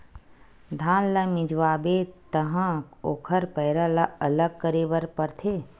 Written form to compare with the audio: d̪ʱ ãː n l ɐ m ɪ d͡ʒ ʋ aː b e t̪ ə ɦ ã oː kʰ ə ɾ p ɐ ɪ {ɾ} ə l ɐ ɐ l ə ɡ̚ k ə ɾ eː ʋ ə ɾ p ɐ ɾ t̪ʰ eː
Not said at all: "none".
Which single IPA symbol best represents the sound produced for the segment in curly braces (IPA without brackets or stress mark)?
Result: ɾ